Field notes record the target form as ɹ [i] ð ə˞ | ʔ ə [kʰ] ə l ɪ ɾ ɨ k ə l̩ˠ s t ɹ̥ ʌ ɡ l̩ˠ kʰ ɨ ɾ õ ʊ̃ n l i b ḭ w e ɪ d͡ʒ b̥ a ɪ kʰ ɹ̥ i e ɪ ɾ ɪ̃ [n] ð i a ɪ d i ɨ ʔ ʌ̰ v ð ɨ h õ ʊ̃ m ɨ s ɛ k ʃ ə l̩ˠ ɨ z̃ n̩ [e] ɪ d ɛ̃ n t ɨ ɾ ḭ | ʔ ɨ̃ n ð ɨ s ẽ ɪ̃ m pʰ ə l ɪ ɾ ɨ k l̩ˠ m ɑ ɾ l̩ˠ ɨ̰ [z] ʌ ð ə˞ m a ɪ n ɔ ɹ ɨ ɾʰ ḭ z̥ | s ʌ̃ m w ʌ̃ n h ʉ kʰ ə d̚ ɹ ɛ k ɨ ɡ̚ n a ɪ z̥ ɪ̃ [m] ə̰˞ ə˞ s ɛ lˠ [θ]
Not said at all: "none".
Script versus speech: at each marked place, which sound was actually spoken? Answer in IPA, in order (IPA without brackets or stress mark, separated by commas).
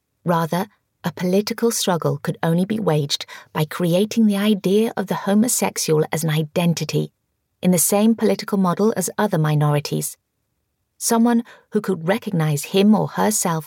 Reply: æ, pʰ, ŋ, a, z, m, f